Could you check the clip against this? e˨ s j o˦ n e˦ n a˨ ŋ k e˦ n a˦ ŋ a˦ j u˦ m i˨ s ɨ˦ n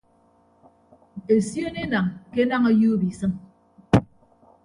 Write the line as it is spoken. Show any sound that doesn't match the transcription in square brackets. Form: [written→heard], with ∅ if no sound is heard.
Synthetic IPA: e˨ s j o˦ n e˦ n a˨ ŋ k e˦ n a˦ ŋ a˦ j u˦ [m→b] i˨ s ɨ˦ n